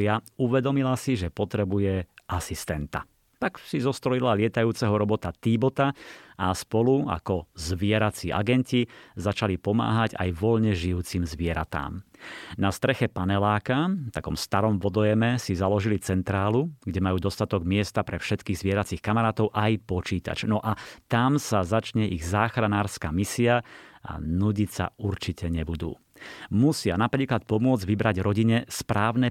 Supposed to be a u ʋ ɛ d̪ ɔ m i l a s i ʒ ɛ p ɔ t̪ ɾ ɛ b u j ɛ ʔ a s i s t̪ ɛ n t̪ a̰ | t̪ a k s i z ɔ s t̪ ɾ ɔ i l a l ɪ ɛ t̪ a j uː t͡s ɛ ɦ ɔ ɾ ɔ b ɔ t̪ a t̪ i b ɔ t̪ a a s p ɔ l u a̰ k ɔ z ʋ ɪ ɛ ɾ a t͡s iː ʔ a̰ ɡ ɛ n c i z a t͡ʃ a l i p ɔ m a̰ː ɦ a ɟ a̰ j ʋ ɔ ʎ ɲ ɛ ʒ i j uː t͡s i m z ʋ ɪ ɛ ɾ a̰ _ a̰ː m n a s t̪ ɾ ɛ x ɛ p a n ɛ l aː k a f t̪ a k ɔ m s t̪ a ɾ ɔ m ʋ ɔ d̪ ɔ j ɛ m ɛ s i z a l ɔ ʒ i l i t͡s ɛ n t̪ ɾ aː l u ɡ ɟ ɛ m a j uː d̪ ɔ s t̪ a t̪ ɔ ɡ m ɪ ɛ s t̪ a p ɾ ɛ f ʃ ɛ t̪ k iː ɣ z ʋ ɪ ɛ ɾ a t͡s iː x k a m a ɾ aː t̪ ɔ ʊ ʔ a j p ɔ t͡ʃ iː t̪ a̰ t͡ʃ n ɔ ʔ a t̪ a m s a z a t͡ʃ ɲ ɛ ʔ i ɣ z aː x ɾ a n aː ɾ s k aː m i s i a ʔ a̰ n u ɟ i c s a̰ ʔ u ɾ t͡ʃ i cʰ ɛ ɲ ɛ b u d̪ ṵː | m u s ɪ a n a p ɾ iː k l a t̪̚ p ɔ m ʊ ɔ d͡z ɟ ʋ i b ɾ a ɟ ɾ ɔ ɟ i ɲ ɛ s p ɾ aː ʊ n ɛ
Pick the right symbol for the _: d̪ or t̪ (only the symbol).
t̪